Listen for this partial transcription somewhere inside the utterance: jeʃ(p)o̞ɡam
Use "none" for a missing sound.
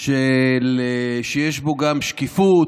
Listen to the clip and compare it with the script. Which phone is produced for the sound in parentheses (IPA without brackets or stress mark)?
b